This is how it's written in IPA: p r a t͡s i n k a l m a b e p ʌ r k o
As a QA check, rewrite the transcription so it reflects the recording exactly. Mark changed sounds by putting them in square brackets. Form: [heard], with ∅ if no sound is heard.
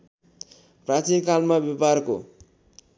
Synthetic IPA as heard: p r a t͡s i n k a l m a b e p [a] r k o